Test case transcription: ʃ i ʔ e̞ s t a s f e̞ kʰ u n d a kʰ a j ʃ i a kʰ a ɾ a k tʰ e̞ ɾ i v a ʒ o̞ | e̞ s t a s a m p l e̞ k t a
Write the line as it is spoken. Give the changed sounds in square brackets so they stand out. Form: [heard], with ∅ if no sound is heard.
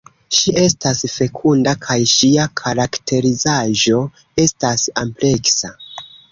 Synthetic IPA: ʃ i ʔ e̞ s t a s f e̞ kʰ u n d a kʰ a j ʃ i a kʰ a ɾ a k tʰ e̞ ɾ i [z] a ʒ o̞ | e̞ s t a s a m p l e̞ k [s] a